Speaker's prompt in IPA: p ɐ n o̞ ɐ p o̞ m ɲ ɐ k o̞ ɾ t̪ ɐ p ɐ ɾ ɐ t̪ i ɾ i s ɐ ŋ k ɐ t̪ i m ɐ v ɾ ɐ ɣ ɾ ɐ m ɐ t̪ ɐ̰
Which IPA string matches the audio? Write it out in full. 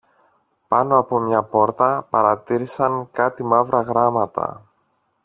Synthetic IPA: p ɐ n o̞ ɐ p o̞ m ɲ ɐ p o̞ ɾ t̪ ɐ p ɐ ɾ ɐ t̪ i ɾ i s ɐ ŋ k ɐ t̪ i m ɐ v ɾ ɐ ɣ ɾ ɐ m ɐ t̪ ɐ̰

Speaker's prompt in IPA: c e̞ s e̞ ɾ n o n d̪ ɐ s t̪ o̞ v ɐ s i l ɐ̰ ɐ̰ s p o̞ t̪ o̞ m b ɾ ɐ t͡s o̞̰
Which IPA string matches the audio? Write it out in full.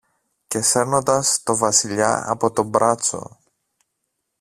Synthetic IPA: c e̞ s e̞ ɾ n o n d̪ ɐ s t̪ o̞ v ɐ s i ʎ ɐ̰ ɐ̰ p o̞ t̪ o̞ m b ɾ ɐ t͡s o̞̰

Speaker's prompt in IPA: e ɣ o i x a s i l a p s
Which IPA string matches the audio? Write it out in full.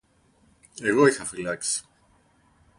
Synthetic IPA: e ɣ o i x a f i l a k s

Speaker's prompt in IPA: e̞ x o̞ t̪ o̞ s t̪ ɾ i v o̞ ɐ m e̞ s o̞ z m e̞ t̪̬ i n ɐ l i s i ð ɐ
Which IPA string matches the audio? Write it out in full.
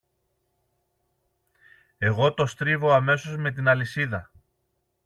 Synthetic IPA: e̞ ɣ o̞ t̪ o̞ s t̪ ɾ i v o̞ ɐ m e̞ s o̞ z m e̞ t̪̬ i n ɐ l i s i ð ɐ

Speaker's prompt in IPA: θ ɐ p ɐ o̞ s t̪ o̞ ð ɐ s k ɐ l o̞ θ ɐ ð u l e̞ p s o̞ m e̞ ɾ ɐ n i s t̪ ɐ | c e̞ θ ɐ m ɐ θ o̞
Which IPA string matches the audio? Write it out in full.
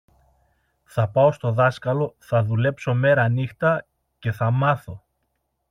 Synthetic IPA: θ ɐ p ɐ o̞ s t̪ o̞ ð ɐ s k ɐ l o̞ θ ɐ ð u l e̞ p s o̞ m e̞ ɾ ɐ n i x t̪ ɐ | c e̞ θ ɐ m ɐ θ o̞

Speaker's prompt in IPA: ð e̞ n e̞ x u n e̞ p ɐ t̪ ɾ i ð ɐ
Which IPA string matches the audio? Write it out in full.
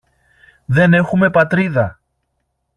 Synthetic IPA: ð e̞ n e̞ x u m e̞ p ɐ t̪ ɾ i ð ɐ

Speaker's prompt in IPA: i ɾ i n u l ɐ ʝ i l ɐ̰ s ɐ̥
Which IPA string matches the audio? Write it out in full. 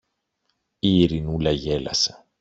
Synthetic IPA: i ɾ i n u l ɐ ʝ e l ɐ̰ s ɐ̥

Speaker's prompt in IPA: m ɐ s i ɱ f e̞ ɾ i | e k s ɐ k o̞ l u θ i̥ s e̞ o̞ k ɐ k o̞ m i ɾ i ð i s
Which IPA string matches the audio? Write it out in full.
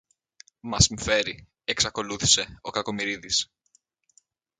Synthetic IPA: m ɐ s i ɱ f e̞ ɾ i | e k s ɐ k o̞ l u θ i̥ s e̞ o̞ k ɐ k o̞ m i ɾ i ð i s

